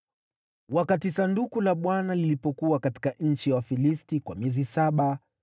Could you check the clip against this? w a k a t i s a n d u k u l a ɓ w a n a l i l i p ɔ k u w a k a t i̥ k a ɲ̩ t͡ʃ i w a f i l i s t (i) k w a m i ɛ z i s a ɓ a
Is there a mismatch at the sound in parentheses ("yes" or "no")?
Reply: no